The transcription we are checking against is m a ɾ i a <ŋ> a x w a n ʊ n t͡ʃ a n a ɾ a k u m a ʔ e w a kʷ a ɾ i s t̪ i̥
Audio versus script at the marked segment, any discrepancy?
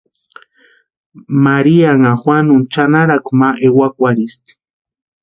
no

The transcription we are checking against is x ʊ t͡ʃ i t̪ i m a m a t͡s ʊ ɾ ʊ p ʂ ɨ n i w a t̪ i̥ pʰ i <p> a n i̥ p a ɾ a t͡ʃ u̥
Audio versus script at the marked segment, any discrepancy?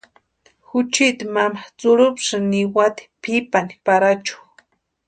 no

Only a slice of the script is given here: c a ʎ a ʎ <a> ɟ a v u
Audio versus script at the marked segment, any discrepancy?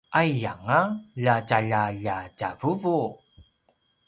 no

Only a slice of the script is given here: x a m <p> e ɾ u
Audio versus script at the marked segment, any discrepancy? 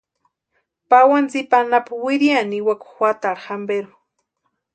yes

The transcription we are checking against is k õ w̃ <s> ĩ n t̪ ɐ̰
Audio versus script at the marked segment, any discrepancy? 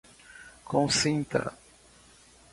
no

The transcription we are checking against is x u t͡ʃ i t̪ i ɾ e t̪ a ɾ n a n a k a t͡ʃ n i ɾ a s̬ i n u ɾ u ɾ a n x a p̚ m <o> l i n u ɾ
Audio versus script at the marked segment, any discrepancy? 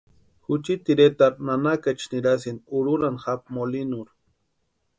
no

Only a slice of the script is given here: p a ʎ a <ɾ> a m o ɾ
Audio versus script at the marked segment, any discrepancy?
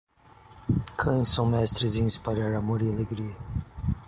no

